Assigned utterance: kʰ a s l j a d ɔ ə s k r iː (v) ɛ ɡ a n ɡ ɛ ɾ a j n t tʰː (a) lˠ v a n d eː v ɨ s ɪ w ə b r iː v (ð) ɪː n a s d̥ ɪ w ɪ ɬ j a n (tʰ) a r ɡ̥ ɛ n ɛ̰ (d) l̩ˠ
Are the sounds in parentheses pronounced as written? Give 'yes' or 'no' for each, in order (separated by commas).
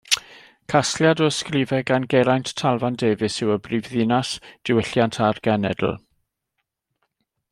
yes, yes, yes, yes, yes